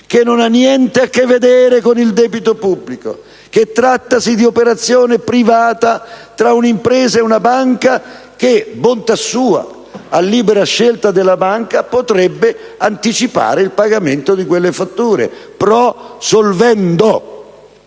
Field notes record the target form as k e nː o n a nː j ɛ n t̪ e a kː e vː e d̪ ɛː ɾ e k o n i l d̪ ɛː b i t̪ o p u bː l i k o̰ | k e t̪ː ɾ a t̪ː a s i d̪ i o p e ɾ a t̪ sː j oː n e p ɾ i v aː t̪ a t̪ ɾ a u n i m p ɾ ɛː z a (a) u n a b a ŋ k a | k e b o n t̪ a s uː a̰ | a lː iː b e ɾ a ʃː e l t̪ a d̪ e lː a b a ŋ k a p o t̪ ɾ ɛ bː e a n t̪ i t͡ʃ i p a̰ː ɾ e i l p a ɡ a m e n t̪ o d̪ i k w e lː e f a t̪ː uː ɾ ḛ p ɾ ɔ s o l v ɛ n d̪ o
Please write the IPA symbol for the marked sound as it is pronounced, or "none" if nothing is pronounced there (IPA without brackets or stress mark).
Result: e